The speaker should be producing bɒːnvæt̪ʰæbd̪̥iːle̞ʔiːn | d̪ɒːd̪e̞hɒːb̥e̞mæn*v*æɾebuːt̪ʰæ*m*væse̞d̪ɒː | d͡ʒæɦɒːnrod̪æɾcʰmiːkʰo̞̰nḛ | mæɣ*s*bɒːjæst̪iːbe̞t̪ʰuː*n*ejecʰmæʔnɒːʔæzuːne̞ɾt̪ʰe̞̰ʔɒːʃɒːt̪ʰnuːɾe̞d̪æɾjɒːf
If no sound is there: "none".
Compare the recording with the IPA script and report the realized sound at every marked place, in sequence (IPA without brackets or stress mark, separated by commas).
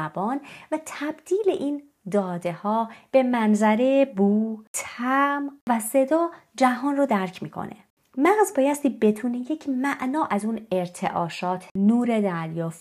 z, m, z, n